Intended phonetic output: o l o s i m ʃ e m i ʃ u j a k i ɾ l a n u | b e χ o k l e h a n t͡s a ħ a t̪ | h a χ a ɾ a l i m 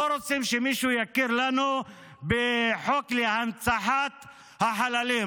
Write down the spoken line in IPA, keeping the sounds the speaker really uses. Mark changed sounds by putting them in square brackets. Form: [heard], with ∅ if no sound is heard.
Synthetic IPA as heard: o [ɾ] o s i m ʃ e m i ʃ u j a k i ɾ l a n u | b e [ħ] o k l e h a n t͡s a ħ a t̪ | h a [ħ] a [l] a l i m